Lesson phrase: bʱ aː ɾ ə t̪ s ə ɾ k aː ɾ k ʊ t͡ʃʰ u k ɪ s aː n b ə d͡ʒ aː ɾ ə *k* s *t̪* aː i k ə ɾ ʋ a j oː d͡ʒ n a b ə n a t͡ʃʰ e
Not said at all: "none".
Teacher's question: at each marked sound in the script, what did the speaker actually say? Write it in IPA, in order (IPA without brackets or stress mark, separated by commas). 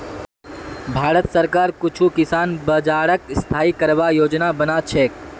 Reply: k, t̪ʰ